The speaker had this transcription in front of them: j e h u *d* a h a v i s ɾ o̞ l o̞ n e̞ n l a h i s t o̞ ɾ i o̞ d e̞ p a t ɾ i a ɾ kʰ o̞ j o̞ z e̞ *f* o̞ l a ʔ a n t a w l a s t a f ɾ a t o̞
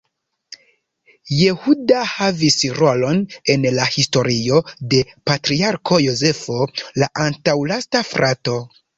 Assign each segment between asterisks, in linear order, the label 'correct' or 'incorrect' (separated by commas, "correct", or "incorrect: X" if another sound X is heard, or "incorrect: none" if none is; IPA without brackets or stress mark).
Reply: correct, correct